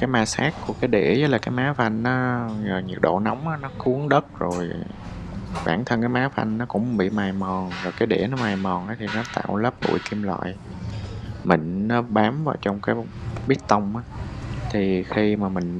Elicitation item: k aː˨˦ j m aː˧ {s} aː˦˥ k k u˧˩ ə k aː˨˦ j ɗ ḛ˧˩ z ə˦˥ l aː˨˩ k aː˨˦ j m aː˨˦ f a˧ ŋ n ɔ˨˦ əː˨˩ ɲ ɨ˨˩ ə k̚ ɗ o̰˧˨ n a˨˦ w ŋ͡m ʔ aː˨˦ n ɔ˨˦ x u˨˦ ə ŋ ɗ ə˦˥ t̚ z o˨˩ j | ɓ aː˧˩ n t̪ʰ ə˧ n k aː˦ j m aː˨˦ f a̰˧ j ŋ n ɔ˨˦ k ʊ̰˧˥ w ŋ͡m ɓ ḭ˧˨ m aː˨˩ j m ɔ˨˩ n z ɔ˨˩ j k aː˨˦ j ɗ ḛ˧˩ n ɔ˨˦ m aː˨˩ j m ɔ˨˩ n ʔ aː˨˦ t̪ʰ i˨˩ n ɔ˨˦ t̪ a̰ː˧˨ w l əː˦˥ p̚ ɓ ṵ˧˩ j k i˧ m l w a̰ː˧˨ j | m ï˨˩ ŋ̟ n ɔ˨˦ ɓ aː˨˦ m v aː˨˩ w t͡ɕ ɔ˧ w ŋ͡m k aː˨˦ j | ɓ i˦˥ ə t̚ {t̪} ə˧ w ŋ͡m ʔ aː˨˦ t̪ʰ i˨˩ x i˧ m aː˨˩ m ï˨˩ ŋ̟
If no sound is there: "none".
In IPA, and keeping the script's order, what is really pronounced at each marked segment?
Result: s, t̪

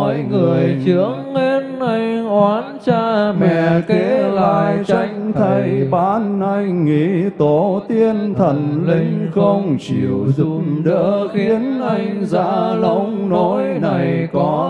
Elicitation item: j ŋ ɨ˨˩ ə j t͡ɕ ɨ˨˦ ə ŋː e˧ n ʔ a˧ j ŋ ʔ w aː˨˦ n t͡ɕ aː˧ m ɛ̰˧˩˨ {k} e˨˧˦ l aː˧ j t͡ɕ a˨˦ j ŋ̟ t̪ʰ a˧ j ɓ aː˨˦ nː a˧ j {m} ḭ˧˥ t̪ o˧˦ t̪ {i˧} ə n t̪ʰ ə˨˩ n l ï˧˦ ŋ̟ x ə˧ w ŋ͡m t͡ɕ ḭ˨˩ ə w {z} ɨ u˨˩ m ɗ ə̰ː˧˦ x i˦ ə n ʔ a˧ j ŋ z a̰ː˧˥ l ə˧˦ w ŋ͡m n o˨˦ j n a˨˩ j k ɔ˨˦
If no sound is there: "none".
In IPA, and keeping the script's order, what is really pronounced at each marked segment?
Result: k, ŋ, i˧, z

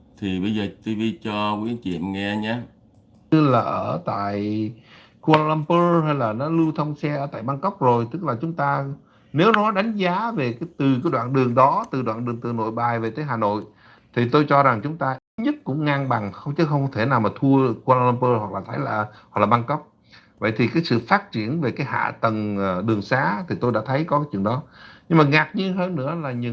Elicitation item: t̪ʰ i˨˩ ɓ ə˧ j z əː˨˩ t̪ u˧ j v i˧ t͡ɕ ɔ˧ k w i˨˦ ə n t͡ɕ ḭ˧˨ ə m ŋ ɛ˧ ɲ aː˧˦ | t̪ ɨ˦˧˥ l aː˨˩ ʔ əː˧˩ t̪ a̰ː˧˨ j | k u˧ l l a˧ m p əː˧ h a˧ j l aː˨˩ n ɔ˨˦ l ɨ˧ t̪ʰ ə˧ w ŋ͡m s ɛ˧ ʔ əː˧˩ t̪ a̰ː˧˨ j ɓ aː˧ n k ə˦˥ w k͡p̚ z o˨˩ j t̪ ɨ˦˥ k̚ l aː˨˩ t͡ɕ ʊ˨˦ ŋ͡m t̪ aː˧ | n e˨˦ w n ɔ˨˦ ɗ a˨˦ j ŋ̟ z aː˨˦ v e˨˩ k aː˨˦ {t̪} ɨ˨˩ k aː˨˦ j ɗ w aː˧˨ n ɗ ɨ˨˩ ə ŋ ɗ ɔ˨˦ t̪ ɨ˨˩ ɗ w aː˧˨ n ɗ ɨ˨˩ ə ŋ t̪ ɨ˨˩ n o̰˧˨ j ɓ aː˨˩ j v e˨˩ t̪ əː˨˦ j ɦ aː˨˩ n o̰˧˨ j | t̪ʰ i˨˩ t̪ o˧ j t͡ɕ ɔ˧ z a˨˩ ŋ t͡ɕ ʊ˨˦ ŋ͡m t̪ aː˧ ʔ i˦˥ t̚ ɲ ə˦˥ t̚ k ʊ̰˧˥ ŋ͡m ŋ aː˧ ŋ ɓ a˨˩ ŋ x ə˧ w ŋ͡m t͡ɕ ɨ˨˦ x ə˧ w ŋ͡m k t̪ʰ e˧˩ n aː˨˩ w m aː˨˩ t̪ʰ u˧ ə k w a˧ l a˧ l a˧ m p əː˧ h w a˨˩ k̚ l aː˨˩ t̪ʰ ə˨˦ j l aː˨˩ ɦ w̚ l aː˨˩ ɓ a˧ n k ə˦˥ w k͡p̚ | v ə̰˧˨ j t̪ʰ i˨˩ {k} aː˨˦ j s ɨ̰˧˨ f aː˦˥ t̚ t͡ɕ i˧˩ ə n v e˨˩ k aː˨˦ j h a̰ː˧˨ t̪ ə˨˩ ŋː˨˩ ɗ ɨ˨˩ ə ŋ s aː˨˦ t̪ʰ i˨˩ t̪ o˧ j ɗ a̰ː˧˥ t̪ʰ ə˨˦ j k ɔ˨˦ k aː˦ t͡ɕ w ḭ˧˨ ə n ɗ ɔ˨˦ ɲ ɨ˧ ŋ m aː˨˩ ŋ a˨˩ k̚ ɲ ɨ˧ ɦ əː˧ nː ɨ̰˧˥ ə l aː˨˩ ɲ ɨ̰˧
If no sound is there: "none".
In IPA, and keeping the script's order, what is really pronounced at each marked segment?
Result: t̪, k

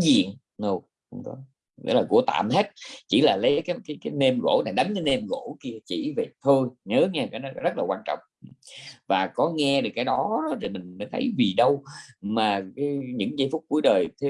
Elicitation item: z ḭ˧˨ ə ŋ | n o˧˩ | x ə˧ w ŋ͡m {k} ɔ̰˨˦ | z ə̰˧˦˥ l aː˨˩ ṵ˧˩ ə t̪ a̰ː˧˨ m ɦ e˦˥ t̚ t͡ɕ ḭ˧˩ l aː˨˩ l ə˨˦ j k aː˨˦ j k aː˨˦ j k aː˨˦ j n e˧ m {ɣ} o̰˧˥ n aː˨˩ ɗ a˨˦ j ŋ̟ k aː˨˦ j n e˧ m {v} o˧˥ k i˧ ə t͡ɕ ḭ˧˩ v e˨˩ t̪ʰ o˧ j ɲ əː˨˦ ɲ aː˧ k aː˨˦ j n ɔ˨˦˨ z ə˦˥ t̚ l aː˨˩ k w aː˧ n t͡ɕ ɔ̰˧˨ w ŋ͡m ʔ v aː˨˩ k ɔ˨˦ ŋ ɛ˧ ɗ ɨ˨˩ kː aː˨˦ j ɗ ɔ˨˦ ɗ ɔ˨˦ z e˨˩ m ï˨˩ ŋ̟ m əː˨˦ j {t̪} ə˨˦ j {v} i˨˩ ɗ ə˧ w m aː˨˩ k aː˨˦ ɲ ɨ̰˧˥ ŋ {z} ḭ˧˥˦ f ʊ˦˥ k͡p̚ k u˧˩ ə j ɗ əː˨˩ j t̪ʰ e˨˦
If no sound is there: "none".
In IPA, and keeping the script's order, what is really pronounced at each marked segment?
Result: k, ɣ, ɣ, t̪ʰ, v, z

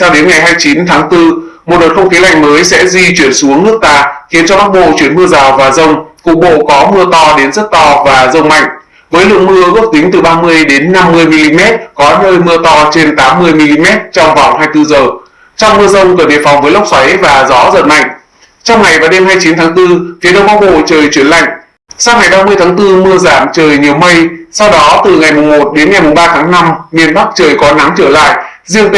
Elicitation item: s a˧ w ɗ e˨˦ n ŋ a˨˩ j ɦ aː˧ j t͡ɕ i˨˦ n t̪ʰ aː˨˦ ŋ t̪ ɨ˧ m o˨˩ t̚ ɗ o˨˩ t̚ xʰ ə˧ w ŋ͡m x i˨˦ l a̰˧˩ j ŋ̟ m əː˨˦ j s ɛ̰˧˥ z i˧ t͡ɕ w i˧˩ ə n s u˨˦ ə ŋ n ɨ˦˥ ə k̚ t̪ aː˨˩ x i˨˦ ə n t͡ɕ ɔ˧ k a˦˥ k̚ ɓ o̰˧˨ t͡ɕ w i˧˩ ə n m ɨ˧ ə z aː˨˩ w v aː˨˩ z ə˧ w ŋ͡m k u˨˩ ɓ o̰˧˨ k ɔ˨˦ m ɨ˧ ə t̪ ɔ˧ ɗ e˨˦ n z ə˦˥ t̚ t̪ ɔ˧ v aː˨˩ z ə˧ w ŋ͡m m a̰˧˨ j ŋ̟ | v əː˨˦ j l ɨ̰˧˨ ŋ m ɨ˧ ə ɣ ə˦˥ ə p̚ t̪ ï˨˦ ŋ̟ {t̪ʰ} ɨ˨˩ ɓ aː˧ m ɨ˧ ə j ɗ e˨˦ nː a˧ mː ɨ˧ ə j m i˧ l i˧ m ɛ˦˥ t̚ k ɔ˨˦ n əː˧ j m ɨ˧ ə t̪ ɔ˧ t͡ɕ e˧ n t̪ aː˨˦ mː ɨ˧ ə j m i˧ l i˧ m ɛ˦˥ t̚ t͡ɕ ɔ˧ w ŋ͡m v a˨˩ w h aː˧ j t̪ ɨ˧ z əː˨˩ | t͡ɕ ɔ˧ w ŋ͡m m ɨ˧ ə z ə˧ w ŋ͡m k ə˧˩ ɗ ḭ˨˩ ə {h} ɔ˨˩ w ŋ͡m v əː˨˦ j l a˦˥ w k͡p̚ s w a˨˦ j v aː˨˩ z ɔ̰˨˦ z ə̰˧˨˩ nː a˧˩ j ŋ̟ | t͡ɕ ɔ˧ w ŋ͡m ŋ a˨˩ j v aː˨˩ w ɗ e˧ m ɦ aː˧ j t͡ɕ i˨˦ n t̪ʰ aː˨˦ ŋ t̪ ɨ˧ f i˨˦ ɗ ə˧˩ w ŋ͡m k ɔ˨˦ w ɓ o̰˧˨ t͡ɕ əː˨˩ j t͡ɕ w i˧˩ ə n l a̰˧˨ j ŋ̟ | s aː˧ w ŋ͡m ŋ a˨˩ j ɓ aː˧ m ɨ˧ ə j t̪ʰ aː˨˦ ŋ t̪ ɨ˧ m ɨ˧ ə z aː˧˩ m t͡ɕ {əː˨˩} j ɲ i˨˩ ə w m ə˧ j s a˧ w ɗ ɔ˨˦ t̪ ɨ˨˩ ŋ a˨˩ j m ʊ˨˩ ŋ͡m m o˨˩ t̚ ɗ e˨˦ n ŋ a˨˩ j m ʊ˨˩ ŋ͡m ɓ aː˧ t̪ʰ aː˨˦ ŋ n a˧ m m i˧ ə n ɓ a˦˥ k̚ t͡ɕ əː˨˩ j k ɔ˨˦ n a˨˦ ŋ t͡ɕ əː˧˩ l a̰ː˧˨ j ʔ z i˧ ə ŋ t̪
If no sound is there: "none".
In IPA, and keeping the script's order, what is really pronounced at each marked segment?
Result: t̪, f, əː˨˩

